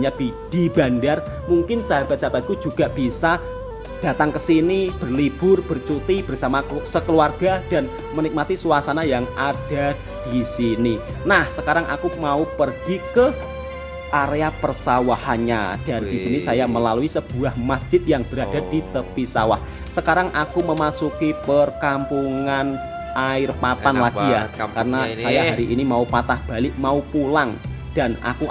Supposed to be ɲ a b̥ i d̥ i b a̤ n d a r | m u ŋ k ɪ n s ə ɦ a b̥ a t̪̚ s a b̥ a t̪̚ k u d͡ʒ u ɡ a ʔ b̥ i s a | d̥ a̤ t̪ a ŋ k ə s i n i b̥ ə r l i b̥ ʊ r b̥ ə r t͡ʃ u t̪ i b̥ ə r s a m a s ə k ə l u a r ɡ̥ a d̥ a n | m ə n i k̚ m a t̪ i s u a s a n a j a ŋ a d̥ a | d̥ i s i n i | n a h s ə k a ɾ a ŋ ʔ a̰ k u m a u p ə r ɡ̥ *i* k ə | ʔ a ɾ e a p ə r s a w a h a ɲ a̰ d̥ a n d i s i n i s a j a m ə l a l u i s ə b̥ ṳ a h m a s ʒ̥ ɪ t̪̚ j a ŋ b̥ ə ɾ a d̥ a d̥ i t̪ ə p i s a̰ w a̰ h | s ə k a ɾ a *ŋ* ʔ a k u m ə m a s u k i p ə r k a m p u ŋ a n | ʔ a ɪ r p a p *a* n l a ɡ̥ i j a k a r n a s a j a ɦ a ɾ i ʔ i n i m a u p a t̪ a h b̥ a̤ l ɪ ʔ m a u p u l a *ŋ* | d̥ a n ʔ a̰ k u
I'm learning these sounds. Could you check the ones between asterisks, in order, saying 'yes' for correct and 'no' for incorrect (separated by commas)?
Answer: yes, yes, yes, yes